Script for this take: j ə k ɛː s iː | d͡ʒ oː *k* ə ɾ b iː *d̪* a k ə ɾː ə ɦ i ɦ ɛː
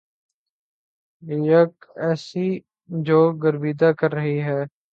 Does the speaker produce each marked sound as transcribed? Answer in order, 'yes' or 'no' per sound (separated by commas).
no, yes